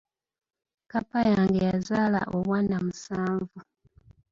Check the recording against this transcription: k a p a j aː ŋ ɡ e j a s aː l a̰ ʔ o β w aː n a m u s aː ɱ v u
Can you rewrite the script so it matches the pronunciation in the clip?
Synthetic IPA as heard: k a p a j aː ŋ ɡ e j a z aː l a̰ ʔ o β w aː n a m u s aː ɱ v u